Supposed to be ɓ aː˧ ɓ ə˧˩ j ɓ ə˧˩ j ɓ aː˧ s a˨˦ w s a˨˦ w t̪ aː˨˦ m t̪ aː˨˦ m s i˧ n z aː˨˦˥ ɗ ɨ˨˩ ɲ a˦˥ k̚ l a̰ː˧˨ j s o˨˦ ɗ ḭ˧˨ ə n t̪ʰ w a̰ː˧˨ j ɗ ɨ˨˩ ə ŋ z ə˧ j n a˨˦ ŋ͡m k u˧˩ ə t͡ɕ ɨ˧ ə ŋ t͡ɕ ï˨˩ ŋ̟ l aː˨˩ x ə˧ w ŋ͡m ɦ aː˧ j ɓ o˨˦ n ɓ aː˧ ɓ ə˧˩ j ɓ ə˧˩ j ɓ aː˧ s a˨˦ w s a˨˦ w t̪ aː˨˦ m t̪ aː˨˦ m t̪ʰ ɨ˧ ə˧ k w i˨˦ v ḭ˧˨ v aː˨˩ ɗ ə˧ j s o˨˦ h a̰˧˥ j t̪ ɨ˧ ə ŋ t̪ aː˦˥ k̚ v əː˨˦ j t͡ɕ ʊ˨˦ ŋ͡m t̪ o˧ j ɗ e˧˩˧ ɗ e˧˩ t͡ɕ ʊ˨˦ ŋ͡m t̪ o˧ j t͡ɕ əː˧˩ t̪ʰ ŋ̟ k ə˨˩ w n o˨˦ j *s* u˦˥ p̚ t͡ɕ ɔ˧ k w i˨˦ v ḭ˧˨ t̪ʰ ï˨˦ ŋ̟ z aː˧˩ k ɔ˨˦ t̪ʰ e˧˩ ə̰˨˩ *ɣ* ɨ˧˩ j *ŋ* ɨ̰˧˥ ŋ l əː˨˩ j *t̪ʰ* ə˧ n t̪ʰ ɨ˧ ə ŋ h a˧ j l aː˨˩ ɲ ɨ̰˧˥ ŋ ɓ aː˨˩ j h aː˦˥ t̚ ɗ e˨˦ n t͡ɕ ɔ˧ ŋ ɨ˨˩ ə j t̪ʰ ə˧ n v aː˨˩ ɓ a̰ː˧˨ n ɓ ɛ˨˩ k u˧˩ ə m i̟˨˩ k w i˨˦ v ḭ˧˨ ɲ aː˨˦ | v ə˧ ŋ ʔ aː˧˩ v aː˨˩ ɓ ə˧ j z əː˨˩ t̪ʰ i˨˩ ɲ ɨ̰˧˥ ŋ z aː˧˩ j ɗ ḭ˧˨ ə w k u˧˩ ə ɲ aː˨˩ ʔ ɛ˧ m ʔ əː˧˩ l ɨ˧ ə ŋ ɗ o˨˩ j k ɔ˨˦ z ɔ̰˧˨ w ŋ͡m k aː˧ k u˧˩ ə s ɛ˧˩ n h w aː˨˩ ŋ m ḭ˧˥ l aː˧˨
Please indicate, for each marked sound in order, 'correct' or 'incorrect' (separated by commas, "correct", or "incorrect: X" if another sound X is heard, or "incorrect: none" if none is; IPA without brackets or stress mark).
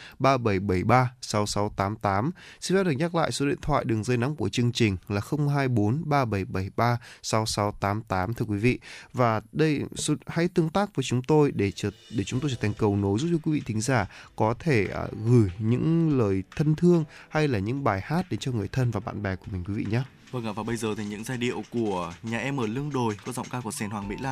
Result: incorrect: z, correct, incorrect: ɲ, correct